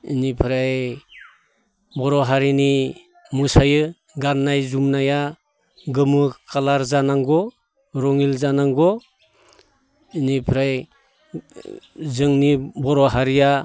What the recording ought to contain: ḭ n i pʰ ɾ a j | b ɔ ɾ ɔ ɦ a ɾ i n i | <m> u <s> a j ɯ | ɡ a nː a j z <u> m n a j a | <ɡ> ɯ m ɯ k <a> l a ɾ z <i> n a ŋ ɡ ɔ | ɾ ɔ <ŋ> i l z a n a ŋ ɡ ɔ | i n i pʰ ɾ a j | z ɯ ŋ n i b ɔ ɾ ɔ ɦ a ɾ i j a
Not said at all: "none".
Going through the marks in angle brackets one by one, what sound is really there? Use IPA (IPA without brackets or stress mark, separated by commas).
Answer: m, s, u, ɡ, a, a, ŋ